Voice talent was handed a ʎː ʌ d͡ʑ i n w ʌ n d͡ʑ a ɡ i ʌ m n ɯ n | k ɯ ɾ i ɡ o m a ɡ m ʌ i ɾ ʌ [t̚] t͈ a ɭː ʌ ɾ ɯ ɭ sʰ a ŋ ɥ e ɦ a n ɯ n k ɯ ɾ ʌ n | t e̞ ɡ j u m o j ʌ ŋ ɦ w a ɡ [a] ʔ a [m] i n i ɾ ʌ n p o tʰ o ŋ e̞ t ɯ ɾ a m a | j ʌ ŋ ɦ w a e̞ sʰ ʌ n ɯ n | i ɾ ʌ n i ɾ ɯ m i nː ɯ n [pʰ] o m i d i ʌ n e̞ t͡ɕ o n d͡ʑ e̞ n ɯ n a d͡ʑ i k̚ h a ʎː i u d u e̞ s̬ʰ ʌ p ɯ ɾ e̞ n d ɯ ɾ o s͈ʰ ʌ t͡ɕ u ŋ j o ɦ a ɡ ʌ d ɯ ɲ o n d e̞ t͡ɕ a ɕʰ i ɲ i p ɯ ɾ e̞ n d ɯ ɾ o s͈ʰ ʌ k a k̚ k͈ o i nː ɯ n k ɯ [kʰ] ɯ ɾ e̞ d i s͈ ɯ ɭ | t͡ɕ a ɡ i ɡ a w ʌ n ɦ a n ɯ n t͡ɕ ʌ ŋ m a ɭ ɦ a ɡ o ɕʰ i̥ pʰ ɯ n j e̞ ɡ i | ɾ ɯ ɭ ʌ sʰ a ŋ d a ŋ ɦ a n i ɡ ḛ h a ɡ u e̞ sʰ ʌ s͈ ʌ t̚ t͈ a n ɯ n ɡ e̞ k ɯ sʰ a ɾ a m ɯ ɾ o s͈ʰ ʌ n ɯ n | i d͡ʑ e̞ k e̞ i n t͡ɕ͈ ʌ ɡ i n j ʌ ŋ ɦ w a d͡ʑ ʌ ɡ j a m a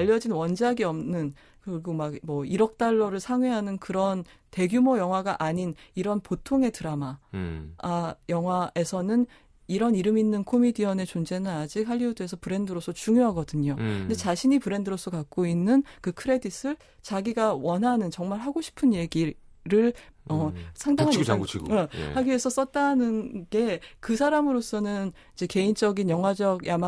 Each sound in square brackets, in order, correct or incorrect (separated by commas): incorrect, correct, incorrect, incorrect, correct